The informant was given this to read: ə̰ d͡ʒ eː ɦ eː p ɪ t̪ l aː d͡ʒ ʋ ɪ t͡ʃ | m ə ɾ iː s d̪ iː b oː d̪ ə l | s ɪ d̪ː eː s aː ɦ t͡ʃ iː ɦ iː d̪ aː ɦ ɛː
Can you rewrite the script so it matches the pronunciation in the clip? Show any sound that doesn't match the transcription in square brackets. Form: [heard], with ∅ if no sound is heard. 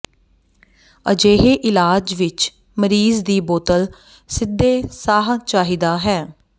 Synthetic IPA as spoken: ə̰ d͡ʒ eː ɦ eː [ʔ] ɪ [∅] l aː d͡ʒ ʋ ɪ t͡ʃ | m ə ɾ iː [z] d̪ iː b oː [t̪] ə l | s ɪ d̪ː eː s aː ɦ t͡ʃ [aː] ɦ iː d̪ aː ɦ ɛː